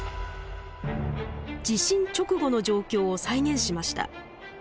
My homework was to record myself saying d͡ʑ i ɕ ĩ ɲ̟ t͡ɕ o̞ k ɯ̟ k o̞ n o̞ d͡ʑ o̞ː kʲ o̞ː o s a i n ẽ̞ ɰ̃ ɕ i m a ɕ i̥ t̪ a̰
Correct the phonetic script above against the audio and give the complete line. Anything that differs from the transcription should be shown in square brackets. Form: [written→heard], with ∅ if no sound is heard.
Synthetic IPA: d͡ʑ i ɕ ĩ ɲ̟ t͡ɕ o̞ k ɯ̟ [k→ɡ] o̞ n o̞ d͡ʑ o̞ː kʲ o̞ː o s a i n ẽ̞ ɰ̃ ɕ i m a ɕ i̥ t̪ a̰